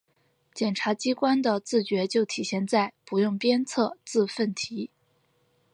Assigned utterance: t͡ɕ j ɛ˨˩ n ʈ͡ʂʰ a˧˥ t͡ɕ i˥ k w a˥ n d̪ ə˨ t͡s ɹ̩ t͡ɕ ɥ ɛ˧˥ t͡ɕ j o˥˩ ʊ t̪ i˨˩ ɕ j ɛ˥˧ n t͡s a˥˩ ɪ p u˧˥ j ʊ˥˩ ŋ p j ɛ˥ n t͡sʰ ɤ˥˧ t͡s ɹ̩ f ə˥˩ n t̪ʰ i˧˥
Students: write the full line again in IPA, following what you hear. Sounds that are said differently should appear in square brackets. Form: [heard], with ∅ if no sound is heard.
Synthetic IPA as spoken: t͡ɕ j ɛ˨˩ n ʈ͡ʂʰ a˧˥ t͡ɕ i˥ k w a˥ n d̪ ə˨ t͡s ɹ̩ t͡ɕ ɥ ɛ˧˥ t͡ɕ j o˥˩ ʊ [t̪ʰ] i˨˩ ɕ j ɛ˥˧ n t͡s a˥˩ ɪ p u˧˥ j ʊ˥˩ ŋ p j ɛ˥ n t͡sʰ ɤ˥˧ t͡s ɹ̩ f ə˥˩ n t̪ʰ i˧˥